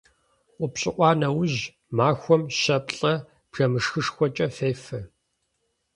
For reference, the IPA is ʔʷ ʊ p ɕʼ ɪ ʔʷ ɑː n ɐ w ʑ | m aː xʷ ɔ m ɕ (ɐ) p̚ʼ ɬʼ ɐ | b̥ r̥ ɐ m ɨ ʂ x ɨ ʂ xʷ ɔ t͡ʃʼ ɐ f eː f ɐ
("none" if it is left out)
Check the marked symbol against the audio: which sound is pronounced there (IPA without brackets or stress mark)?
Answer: ɐ